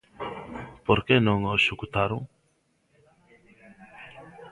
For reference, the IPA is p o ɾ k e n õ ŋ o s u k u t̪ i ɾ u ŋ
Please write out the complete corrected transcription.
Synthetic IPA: p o ɾ k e n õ ŋ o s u k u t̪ a ɾ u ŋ